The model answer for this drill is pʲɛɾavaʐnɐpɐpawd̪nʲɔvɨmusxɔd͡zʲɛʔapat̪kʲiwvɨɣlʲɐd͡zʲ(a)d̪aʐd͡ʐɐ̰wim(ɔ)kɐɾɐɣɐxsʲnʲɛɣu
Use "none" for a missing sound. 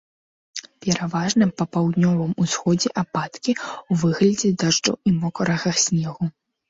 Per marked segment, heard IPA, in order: ɛ, ɔ

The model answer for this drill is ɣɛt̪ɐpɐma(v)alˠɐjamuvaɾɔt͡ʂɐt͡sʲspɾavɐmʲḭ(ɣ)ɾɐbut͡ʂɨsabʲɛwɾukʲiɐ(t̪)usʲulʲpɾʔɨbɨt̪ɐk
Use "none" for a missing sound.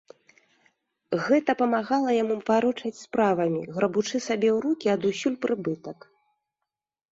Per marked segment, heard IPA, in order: ɣ, ɣ, d̪

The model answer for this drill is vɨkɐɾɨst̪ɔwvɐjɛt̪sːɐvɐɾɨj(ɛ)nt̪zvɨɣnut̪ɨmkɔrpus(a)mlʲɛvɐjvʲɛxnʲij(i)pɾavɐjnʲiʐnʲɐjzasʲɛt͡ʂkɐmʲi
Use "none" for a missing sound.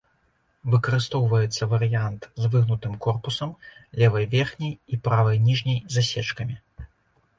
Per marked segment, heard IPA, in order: a, ɐ, i

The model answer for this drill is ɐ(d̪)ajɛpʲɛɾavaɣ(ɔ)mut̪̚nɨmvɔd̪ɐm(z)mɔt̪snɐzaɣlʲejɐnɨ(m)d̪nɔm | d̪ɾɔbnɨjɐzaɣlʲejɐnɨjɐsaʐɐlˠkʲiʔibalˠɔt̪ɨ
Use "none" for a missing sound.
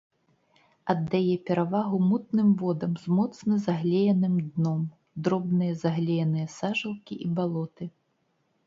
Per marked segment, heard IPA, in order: d̪ː, u, z, m

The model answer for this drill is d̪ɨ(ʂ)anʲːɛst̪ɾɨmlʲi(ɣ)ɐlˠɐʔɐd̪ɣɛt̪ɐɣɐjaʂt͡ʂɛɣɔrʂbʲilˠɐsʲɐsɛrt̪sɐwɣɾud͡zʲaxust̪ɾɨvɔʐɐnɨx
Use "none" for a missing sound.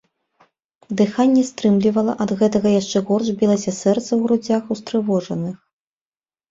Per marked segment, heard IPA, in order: x, v

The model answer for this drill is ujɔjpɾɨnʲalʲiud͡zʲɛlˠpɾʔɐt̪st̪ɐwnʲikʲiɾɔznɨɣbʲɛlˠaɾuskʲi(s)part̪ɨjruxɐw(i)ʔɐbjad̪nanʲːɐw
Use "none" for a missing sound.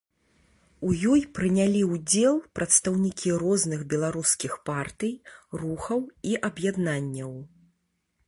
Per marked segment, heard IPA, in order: x, i

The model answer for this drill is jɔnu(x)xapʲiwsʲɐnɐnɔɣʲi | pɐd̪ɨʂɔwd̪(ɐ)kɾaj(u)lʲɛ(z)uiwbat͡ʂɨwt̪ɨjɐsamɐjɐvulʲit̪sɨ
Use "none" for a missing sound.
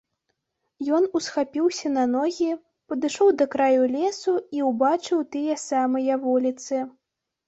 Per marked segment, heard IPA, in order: s, ɐ, u, s

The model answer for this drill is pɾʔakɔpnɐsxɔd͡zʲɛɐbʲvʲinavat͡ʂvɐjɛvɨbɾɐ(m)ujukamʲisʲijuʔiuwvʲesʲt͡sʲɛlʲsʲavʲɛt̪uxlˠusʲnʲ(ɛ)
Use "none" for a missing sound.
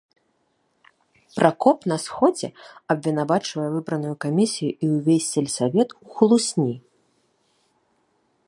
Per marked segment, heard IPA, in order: n, i

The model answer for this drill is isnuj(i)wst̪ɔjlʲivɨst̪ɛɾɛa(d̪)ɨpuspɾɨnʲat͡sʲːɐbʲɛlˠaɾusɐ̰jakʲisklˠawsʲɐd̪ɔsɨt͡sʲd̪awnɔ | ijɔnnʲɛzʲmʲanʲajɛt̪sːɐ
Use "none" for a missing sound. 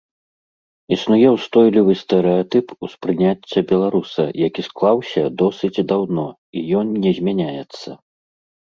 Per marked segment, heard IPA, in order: ɛ, t̪

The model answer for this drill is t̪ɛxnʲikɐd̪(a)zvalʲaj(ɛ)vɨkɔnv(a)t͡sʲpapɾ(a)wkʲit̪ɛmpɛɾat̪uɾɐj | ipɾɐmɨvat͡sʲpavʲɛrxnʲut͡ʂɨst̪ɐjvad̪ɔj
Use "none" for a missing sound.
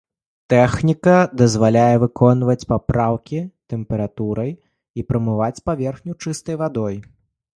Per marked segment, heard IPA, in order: ɐ, ɛ, ɐ, a

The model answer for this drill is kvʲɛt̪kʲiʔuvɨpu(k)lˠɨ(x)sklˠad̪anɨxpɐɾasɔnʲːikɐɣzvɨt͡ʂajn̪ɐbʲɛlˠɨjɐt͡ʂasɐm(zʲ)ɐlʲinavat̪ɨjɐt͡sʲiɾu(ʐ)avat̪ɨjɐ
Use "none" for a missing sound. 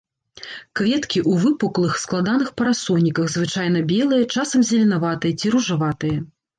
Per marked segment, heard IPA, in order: k, x, zʲ, ʐ

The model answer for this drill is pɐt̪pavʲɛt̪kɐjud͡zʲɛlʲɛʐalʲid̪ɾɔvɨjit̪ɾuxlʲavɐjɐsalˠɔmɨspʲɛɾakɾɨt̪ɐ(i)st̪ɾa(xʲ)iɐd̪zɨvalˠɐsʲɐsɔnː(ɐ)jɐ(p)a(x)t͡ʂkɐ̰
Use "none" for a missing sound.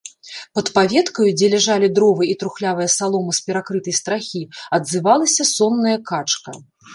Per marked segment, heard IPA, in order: j, xʲ, ɐ, k, none

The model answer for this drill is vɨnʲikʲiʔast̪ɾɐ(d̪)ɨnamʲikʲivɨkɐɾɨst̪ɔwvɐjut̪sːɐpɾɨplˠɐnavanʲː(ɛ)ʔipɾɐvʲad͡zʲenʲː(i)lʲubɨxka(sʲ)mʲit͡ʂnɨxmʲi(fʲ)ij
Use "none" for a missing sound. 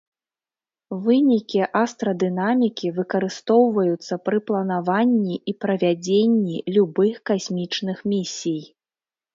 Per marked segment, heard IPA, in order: d̪, i, i, sʲ, sʲ

